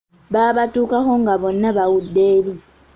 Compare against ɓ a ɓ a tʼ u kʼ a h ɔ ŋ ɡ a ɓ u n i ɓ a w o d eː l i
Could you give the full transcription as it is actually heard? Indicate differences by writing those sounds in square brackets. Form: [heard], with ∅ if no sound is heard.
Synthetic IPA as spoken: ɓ a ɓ a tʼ u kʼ a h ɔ ŋ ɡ a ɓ [ɔ] n [a] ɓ a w [u] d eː l i